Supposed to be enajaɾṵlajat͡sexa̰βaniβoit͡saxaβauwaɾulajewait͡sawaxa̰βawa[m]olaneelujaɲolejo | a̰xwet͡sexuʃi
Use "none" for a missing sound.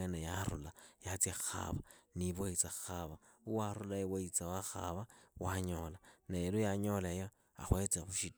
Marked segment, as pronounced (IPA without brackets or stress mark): ɲ